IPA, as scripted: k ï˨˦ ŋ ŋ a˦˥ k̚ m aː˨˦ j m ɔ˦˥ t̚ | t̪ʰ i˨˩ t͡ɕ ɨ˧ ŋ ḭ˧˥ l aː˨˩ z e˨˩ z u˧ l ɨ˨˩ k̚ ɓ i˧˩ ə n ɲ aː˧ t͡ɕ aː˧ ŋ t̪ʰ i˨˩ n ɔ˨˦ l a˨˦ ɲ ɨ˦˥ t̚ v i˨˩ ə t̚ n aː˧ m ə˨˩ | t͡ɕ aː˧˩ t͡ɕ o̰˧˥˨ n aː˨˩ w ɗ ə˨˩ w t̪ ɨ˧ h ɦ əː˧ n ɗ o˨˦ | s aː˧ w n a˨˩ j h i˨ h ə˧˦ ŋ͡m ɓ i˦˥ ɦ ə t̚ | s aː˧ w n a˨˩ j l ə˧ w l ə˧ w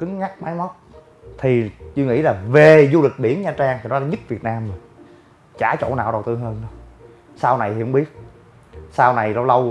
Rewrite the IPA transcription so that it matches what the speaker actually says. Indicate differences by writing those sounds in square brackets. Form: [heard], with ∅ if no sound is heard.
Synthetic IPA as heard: k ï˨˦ ŋ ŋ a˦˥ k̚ m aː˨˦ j m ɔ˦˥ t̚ | t̪ʰ i˨˩ t͡ɕ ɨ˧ ŋ ḭ˧˥ l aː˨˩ [v] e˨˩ z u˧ l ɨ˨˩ k̚ ɓ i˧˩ ə n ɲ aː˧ t͡ɕ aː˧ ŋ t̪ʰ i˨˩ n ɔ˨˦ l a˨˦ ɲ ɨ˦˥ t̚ v i˨˩ ə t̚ n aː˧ m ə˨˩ | t͡ɕ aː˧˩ t͡ɕ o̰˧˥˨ n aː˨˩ w ɗ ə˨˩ w t̪ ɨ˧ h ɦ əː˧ n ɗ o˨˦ | s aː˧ w n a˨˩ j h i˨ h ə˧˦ ŋ͡m ɓ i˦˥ [∅] ə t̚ | s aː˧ w n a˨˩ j l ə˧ w l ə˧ w